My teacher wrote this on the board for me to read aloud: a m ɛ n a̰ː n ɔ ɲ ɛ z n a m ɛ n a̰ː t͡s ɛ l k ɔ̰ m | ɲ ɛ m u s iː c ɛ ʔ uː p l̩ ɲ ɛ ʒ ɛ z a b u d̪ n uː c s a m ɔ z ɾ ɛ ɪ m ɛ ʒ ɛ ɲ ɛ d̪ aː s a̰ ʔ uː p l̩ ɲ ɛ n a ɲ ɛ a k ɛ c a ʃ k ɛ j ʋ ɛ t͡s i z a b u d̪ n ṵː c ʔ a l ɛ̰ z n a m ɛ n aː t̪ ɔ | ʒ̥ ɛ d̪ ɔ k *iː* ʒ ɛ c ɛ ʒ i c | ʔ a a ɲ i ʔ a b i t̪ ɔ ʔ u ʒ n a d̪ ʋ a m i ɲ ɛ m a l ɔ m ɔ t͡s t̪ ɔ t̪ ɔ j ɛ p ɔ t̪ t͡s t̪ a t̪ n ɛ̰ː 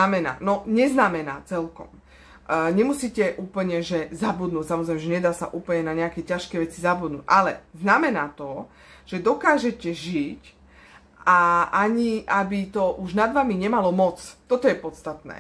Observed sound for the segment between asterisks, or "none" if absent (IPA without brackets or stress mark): aː